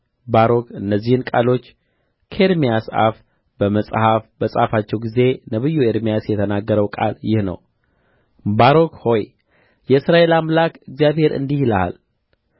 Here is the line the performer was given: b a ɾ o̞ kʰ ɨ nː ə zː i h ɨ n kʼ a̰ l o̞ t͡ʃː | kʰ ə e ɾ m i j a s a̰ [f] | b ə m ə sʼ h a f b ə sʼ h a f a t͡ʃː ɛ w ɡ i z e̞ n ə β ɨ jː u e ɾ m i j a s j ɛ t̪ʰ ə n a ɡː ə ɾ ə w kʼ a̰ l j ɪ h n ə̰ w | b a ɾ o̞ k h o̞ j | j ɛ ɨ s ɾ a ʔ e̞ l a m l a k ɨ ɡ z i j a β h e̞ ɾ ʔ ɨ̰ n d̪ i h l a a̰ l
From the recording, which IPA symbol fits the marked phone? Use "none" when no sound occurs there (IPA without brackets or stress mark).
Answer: f